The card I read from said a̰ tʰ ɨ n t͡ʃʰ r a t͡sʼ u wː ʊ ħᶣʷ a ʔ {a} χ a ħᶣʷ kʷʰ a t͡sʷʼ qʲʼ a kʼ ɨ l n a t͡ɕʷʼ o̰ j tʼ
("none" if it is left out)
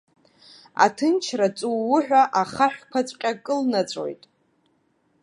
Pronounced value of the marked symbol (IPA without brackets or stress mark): a